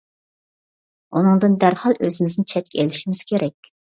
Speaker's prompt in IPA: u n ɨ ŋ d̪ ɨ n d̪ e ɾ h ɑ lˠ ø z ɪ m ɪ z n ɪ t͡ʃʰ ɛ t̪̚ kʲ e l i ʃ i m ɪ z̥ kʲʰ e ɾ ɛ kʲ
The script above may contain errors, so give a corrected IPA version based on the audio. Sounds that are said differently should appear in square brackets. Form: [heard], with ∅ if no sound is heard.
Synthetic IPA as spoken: u n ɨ ŋ d̪ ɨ n d̪ [æ] ɾ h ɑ lˠ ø z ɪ m ɪ z n ɪ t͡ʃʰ ɛ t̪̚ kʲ e l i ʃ i m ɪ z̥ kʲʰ e ɾ ɛ kʲ